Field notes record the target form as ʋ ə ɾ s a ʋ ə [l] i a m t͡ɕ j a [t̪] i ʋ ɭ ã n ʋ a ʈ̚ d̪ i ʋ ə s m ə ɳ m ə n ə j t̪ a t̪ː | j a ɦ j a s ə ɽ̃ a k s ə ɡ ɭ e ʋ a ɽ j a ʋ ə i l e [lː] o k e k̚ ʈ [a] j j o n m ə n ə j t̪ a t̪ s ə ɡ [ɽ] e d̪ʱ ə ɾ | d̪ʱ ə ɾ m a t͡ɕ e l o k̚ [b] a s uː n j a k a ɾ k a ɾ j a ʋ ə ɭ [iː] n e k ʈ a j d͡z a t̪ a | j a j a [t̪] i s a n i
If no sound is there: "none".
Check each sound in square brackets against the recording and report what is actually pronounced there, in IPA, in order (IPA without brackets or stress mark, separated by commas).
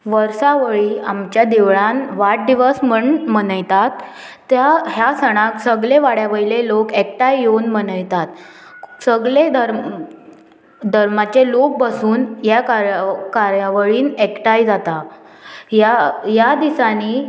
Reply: ɭ, d̪, l, a, ɭ, b, iː, d̪